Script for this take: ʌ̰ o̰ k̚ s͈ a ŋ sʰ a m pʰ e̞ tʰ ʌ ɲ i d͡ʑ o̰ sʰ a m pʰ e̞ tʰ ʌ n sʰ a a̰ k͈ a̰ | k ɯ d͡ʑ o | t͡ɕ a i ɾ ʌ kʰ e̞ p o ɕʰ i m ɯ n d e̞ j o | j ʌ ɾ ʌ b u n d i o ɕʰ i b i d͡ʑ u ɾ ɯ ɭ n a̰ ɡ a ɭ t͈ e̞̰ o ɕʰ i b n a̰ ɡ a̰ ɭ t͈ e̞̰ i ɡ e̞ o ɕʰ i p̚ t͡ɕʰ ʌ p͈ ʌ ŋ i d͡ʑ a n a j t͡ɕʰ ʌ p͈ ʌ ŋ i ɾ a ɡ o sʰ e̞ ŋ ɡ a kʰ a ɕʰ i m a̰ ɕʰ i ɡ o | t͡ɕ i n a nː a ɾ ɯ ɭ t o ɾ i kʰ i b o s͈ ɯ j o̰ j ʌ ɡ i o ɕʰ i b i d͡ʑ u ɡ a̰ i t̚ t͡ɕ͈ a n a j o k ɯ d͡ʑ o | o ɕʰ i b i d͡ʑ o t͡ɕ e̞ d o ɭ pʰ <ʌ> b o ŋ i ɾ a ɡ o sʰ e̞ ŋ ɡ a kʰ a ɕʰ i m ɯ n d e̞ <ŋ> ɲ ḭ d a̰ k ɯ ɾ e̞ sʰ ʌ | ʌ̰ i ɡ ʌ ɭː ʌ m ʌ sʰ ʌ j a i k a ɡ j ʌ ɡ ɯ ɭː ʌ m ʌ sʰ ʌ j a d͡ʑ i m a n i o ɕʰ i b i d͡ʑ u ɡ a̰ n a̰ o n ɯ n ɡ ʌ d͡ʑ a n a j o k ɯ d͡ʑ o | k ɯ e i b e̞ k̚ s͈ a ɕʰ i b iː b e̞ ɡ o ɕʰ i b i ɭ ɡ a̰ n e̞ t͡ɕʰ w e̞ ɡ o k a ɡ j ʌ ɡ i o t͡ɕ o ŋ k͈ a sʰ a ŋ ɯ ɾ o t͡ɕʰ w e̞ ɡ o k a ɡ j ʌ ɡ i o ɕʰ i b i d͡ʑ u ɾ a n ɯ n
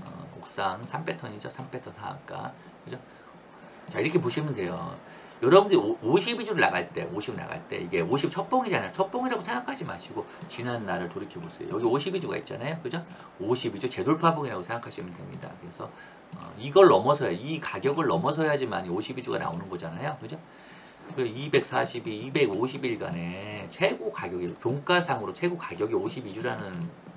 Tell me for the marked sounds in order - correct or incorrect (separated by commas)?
incorrect, incorrect